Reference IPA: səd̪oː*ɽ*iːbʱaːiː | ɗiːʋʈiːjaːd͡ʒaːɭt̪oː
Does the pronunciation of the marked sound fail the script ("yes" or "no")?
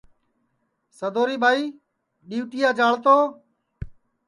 yes